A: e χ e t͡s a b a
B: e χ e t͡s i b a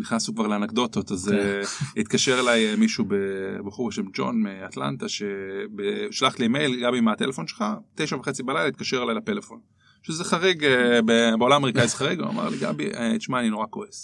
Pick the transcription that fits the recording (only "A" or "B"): B